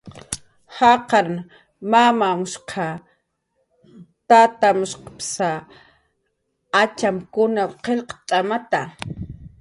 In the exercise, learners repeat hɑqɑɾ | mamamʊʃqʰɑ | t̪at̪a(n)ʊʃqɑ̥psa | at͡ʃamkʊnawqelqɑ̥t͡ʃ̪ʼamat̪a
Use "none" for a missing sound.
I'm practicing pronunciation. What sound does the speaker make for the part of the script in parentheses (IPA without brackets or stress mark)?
m